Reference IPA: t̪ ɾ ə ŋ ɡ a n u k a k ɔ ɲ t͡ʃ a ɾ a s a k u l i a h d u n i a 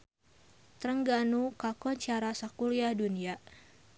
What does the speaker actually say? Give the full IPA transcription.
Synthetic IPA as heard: t̪ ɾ ə ŋ ɡ a n u k a k ɔ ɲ t͡ʃ a ɾ a s a k u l i a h d u n i a